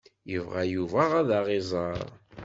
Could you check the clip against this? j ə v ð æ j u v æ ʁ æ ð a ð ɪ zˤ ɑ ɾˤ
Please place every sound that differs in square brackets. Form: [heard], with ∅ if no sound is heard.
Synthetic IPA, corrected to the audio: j ə v [ʁ] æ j u v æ ʁ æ ð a [ʁ] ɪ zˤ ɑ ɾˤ